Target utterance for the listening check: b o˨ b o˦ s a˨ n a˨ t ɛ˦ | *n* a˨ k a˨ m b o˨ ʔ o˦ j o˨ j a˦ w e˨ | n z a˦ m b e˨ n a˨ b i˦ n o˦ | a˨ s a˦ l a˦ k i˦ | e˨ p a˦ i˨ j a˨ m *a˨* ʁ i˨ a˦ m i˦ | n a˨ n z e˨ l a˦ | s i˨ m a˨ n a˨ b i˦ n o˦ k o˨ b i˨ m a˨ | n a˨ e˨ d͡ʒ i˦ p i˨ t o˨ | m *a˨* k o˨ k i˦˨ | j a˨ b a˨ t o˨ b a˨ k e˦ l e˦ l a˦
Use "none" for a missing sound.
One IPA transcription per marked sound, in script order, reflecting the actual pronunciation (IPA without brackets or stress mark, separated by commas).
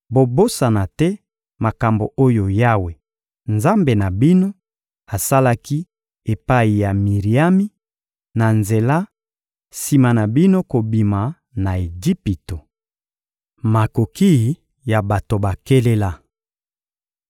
m, i˨, a˨